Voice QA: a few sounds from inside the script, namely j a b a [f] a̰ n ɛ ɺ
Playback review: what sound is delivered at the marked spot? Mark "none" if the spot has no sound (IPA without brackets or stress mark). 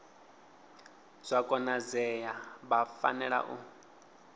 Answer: f